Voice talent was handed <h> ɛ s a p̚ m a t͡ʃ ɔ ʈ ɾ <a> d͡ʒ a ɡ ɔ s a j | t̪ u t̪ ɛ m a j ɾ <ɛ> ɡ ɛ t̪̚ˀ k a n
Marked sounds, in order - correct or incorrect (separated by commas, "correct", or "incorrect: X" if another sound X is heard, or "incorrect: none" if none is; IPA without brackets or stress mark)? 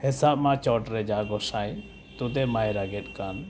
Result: correct, incorrect: ɛ, incorrect: a